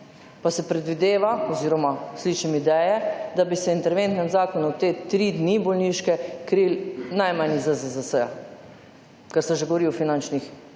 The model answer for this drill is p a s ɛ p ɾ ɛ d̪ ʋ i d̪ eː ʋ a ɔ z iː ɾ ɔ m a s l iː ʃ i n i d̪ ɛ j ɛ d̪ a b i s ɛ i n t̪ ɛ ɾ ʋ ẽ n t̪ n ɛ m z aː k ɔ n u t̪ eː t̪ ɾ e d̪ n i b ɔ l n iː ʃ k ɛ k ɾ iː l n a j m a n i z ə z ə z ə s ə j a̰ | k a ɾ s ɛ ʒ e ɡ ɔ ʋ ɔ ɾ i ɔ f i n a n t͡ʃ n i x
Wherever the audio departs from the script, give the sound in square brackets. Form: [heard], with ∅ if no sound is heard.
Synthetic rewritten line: p a s ɛ p ɾ ɛ d̪ ʋ i d̪ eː ʋ a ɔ z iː ɾ ɔ m a s l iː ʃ i [m] i d̪ ɛ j ɛ d̪ a b i s ɛ i n t̪ ɛ ɾ ʋ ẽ n t̪ n ɛ m z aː k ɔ n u t̪ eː t̪ ɾ [i] d̪ n i b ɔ l n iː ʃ k ɛ k ɾ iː l n a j m a n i z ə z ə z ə s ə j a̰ | k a ɾ s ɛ ʒ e ɡ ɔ ʋ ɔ ɾ i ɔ f i n a n t͡ʃ n i x